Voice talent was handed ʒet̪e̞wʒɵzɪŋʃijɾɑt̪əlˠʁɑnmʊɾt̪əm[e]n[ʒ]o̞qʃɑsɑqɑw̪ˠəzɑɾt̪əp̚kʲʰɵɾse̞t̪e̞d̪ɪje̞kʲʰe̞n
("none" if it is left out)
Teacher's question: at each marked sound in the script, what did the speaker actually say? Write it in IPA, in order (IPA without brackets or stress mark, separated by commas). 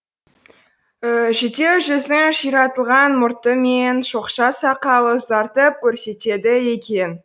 e, ʃ